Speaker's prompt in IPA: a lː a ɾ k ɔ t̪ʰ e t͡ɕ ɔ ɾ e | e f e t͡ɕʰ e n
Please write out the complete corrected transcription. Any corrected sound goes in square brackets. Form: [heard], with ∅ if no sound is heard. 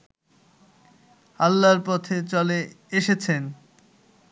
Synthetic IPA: a lː a ɾ [p] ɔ t̪ʰ e t͡ɕ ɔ [l] e | e [ʃ] e t͡ɕʰ e n

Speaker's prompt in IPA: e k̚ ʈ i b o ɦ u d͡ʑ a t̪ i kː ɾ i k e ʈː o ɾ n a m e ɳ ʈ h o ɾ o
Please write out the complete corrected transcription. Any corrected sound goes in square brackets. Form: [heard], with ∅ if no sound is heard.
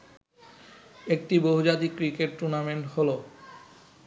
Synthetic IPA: e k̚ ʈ i b o ɦ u d͡ʑ a t̪ i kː ɾ i k e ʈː [u] ɾ n a m e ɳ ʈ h o [l] o

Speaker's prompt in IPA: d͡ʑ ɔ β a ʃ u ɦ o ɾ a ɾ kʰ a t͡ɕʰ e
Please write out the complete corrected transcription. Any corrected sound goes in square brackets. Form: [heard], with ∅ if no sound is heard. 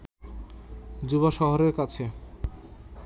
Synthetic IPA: d͡ʑ [u] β a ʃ [ɔ] ɦ o ɾ [e] ɾ [k] a t͡ɕʰ e

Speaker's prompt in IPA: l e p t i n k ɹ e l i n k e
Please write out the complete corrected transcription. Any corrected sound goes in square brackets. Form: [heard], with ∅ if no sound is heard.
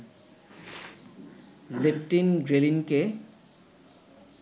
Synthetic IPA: l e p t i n [ɡ] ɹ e l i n k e

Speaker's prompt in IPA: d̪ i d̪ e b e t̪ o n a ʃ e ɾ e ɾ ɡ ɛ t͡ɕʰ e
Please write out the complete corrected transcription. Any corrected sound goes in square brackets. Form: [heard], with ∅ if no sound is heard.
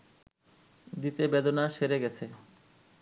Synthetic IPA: d̪ i [t̪] e b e [d̪] o n a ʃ e ɾ e [∅] ɡ ɛ t͡ɕʰ e

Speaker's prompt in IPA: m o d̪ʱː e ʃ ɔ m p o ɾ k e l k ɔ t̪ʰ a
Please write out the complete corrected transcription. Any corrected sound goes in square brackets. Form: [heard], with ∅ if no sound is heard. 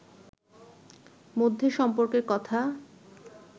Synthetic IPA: m o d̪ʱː e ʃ ɔ m p o ɾ k e [ɾ] k ɔ t̪ʰ a

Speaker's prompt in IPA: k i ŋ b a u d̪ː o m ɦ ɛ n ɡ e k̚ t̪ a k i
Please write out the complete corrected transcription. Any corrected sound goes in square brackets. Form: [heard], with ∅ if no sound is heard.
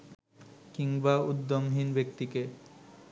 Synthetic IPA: k i ŋ b a u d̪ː o m ɦ [i] n [b] e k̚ t̪ [i] k [e]

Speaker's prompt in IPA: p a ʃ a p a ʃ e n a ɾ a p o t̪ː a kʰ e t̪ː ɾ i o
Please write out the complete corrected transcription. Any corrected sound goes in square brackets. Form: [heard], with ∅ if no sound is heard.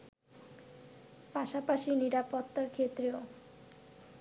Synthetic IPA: p a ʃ a p a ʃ [i] n [i] ɾ a p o t̪ː a kʰ e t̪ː ɾ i o

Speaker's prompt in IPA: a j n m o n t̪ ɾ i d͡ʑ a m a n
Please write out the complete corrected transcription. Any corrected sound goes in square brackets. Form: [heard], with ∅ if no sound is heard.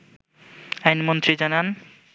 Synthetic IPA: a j n m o n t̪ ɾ i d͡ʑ a [n] a n

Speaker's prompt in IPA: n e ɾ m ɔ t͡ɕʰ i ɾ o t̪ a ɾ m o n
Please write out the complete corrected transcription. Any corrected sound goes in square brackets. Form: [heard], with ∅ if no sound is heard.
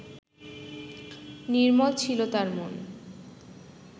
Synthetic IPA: n [i] ɾ m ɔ t͡ɕʰ i [l] o t̪ a ɾ m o n

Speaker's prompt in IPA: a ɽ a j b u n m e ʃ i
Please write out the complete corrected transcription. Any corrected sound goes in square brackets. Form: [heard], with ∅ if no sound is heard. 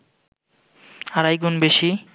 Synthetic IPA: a [ɾ] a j [ɡ] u n [b] e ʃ i

